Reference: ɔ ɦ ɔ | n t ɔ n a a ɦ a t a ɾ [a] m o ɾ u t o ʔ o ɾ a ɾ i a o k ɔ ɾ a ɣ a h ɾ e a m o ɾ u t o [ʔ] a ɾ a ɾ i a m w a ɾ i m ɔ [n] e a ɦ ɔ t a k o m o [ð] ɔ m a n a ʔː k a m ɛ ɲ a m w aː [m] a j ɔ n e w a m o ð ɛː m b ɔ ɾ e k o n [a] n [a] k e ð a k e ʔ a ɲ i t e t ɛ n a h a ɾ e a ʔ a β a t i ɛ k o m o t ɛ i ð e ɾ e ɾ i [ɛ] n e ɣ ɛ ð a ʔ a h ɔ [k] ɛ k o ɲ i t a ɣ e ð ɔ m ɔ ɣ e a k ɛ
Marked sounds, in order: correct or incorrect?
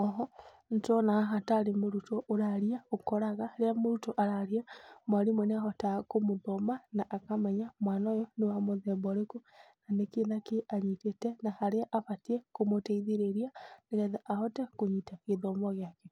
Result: incorrect: e, correct, correct, correct, incorrect: n, correct, incorrect: e, incorrect: a, incorrect: t

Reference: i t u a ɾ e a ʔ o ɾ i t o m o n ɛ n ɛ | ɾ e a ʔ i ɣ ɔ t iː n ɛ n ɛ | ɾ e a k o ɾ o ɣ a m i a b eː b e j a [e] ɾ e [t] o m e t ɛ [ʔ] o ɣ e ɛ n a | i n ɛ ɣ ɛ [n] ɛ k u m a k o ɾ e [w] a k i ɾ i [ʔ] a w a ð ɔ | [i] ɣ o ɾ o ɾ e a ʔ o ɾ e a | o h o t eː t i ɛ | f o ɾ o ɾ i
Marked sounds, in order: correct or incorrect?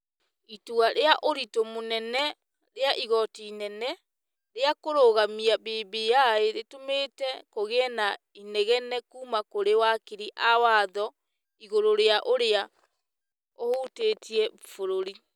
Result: correct, correct, incorrect: k, correct, correct, correct, correct

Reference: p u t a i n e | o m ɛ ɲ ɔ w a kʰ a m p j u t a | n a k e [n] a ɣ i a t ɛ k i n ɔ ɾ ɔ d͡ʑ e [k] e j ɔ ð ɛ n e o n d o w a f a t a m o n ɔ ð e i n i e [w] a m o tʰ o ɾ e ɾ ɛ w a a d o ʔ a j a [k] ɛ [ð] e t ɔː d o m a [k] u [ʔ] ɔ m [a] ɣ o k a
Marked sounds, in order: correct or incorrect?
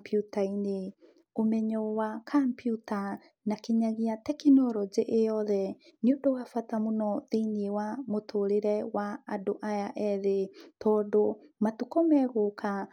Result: incorrect: ɲ, incorrect: ʔ, correct, incorrect: ʔ, correct, incorrect: t, incorrect: k, incorrect: ɛ

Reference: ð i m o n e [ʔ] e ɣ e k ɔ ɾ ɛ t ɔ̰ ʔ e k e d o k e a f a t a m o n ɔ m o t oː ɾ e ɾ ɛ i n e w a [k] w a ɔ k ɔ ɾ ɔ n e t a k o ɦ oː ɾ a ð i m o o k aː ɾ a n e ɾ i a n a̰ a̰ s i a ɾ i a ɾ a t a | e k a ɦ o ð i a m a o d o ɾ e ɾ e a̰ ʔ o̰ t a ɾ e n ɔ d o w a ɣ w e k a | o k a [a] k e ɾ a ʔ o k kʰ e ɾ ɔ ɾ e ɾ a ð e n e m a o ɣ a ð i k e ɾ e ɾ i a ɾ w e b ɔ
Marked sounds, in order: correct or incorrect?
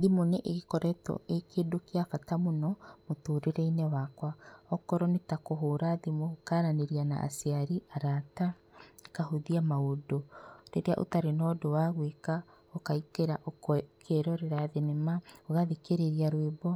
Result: correct, correct, incorrect: i

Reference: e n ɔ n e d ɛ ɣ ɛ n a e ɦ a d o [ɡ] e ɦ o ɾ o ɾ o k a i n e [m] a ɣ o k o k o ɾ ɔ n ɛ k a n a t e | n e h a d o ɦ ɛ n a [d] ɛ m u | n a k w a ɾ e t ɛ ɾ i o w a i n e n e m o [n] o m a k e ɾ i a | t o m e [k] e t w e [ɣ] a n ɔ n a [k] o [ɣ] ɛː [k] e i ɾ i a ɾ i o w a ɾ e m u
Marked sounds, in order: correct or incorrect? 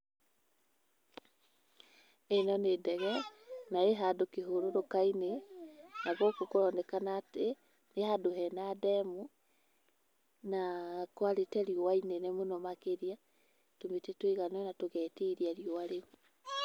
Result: incorrect: k, incorrect: n, correct, correct, incorrect: t, correct, incorrect: t, correct, incorrect: t

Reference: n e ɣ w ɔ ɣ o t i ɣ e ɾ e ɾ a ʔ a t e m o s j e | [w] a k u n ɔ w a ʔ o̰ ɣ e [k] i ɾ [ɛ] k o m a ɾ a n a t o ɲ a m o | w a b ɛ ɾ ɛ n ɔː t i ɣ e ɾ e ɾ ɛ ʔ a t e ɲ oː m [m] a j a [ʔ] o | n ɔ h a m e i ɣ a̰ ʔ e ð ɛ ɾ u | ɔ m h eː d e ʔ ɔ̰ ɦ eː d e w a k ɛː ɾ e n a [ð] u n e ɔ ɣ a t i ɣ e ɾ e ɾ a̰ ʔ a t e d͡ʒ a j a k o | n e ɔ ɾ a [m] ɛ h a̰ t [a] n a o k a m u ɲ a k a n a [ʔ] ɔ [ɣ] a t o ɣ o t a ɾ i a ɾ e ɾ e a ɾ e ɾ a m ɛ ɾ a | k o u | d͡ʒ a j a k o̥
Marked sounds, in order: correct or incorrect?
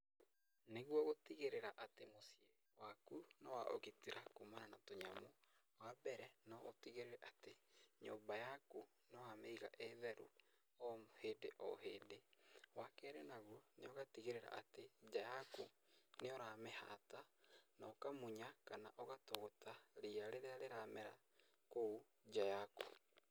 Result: correct, incorrect: t, incorrect: a, incorrect: b, incorrect: k, incorrect: ɣ, correct, correct, correct, correct

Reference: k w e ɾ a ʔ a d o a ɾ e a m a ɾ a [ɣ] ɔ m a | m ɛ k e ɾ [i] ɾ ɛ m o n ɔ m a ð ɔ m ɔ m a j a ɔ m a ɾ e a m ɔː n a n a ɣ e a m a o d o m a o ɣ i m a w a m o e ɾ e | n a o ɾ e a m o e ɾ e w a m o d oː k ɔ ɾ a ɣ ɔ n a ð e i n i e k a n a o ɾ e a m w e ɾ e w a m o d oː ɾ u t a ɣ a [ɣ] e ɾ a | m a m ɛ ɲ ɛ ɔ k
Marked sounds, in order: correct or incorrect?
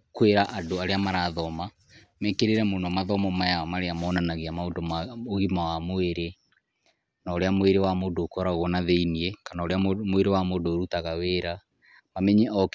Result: incorrect: ð, incorrect: e, incorrect: w

